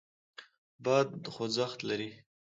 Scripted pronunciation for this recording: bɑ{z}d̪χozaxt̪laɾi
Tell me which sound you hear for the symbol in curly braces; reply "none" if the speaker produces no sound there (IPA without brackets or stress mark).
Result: none